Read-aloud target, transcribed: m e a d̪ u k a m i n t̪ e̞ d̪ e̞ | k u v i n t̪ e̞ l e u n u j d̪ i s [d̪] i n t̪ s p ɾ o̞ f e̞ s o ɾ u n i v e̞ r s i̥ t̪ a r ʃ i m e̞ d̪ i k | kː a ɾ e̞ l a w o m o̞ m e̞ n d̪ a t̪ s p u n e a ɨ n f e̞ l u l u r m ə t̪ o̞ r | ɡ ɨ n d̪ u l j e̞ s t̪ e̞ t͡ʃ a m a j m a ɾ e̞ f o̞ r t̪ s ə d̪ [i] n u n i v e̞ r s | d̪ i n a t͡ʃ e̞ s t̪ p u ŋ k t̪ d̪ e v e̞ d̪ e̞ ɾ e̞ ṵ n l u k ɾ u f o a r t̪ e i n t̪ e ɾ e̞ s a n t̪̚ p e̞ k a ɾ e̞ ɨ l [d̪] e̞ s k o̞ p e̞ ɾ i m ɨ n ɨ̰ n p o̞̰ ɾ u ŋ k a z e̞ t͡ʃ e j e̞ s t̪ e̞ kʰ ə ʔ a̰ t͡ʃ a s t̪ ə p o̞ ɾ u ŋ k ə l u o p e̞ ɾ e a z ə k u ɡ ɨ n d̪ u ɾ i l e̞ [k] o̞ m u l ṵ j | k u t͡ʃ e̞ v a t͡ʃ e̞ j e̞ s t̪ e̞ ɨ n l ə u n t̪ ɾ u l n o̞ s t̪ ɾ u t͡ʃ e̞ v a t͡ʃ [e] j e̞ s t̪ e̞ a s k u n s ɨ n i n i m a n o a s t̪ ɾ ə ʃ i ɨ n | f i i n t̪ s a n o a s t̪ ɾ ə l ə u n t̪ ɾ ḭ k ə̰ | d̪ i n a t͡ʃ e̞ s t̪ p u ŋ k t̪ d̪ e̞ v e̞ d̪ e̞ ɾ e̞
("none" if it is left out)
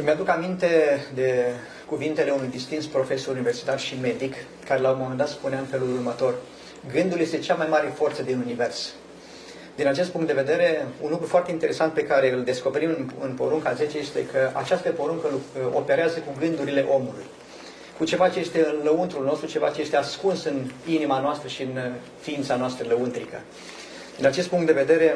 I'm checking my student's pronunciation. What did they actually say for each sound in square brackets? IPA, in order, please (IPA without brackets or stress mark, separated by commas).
t̪, i, d̪, ʔ, e